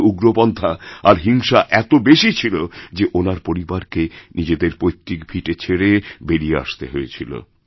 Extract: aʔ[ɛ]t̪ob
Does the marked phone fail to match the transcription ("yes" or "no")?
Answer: no